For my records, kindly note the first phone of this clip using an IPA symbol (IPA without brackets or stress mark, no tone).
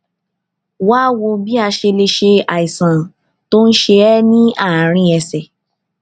w